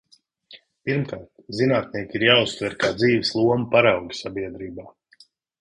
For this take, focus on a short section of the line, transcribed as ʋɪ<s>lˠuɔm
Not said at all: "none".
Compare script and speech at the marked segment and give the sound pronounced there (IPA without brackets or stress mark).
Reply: s